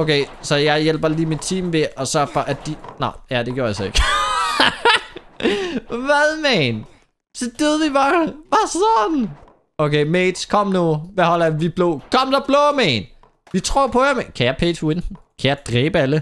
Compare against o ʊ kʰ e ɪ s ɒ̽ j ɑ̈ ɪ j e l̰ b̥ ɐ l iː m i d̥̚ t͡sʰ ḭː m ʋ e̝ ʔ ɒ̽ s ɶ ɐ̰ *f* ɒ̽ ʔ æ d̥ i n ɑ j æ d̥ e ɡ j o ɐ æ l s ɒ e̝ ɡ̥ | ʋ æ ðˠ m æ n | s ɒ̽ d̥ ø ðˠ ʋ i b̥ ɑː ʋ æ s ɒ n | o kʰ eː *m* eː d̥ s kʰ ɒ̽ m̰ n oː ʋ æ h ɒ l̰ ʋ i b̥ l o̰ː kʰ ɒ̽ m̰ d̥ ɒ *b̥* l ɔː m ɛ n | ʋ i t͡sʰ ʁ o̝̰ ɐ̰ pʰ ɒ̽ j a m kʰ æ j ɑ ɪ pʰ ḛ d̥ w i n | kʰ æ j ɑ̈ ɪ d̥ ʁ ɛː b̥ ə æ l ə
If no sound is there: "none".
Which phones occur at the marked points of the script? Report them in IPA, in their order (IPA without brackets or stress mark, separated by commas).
f, m, b̥